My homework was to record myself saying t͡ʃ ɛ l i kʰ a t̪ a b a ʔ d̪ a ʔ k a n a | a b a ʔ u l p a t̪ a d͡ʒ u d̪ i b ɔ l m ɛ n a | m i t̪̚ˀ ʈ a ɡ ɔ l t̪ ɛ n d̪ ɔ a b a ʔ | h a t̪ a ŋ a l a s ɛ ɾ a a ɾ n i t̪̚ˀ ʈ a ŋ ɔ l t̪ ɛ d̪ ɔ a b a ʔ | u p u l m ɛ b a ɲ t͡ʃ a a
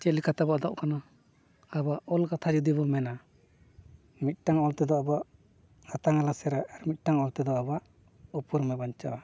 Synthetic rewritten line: t͡ʃ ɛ l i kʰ a t̪ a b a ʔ d̪ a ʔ k a n a | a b a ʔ ɔ l k a t̪ʰ a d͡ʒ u d̪ i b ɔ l m ɛ n a | m i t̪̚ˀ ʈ a ŋ ɔ l t̪ ɛ d̪ ɔ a b a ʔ | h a t̪ a ŋ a l a s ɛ ɾ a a ɾ m i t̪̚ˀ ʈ a ŋ ɔ l t̪ ɛ d̪ ɔ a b a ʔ | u p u ɾ m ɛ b a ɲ t͡ʃ a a